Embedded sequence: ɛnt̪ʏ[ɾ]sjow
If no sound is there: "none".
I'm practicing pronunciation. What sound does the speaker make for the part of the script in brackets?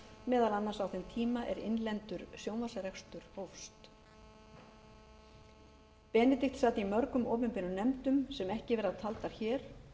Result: ɾ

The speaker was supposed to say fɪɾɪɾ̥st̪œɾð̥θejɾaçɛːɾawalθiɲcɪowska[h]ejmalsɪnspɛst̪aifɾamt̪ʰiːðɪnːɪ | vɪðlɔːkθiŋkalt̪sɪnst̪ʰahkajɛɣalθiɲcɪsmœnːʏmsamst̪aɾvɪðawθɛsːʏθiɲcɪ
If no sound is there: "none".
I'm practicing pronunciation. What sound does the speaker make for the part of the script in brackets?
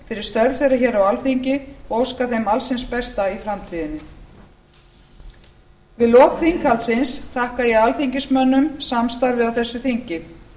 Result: θ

